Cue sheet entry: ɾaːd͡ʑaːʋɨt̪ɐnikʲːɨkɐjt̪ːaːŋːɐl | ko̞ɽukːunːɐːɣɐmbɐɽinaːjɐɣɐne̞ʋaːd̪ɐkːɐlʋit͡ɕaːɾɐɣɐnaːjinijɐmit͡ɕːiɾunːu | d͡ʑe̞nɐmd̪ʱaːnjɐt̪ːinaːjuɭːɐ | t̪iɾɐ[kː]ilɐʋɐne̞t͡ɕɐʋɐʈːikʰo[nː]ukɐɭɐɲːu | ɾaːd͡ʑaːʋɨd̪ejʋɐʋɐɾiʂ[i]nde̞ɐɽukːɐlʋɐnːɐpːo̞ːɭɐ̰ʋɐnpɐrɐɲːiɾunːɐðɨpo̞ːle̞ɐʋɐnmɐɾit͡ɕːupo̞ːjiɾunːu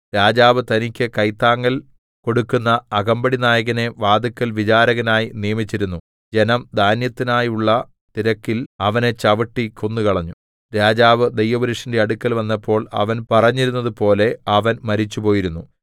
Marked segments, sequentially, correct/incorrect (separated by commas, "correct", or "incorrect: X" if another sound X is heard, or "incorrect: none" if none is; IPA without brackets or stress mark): correct, correct, correct